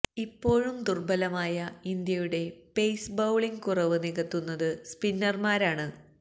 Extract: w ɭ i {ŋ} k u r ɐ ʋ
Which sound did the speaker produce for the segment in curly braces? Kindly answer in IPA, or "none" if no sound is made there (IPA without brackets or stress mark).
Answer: ŋ